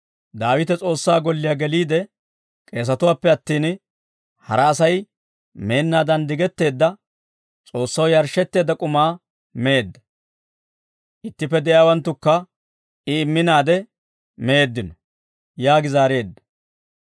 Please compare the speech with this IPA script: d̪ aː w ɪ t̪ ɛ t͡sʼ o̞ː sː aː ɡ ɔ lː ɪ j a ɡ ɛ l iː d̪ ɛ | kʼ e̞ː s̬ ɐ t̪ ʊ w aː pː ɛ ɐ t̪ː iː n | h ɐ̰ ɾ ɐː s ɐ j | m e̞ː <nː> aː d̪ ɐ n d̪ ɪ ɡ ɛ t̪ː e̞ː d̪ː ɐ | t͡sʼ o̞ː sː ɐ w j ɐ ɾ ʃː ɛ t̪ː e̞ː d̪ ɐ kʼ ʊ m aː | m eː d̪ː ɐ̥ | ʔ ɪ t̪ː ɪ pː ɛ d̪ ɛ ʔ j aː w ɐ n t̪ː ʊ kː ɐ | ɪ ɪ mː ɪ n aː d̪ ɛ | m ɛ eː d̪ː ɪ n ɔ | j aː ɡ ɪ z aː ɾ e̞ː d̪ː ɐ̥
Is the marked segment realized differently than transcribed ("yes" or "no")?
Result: no